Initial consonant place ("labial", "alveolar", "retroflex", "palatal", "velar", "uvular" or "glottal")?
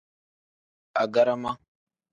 velar